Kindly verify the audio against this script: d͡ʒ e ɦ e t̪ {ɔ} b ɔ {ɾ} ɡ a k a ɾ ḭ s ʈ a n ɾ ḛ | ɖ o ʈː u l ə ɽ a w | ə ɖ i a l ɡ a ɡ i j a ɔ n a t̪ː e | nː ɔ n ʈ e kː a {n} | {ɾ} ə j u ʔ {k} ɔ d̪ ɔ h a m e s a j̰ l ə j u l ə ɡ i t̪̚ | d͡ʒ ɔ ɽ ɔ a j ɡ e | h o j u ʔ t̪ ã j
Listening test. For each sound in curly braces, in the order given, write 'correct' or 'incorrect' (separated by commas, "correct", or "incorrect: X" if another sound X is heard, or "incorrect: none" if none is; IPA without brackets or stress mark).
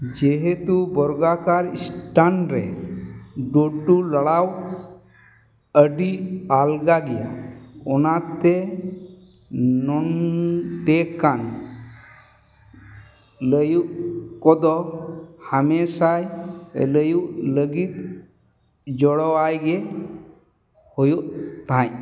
incorrect: u, correct, correct, incorrect: l, correct